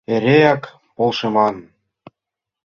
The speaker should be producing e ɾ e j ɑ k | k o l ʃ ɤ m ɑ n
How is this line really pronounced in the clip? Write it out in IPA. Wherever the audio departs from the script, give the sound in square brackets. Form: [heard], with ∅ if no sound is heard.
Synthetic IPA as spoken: e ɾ e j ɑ k | [p] o l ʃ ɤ m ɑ n